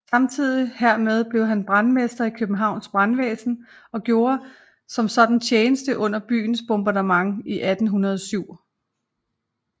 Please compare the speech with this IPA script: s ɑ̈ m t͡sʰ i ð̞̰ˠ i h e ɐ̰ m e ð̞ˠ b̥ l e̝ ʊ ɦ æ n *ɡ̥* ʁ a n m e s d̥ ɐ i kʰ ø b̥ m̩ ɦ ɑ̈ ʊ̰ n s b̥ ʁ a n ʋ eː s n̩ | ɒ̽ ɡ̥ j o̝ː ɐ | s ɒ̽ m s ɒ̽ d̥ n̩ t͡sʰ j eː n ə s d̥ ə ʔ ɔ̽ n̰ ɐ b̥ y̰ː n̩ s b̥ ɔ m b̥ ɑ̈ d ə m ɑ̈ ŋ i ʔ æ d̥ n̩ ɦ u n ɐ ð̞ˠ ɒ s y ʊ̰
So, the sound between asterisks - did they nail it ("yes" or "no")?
no